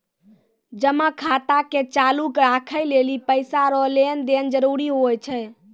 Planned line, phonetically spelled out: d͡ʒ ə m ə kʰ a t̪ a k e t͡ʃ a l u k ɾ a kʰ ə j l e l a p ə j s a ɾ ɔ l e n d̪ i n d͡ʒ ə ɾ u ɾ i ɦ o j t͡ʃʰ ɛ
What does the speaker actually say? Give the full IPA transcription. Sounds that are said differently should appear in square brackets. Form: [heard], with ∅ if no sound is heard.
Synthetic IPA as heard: d͡ʒ ə m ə kʰ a t̪ a k e t͡ʃ a l u k ɾ a kʰ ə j l e l [i] p ə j s a ɾ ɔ l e n d̪ [e] n d͡ʒ ə ɾ u ɾ i ɦ o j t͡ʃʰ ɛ